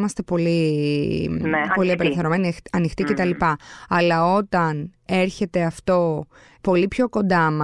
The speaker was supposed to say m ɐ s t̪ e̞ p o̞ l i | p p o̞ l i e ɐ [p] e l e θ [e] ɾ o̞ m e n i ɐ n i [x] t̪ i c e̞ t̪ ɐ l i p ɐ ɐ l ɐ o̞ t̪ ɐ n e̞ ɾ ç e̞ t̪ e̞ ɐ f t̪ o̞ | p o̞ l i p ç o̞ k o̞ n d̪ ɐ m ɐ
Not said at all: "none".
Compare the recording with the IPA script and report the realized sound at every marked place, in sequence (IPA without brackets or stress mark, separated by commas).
p, e, x